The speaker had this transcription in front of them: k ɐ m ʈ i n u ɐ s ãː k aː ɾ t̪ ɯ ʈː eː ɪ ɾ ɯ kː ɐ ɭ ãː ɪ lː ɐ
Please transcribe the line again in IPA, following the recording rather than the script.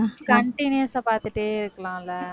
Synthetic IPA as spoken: k ɐ ɳ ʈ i n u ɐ s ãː p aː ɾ t̪ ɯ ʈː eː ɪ ɾ ɯ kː ɐ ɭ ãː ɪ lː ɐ

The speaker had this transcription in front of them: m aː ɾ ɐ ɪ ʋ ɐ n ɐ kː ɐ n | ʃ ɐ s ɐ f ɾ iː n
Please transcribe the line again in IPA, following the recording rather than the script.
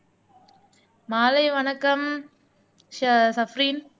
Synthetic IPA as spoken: m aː l ɐ ɪ ʋ ɐ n ɐ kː ɐ m | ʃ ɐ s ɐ f ɾ iː n

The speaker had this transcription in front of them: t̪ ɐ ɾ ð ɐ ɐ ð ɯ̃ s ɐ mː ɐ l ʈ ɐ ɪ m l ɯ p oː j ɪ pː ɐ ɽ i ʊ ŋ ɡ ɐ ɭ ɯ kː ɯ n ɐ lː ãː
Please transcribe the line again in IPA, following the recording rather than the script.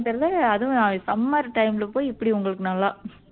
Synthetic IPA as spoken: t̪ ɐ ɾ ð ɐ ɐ ð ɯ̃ s ɐ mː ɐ ɾ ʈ ɐ ɪ m l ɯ p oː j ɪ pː ɐ ɽ i ʊ ŋ ɡ ɐ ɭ ɯ kː ɯ n ɐ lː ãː

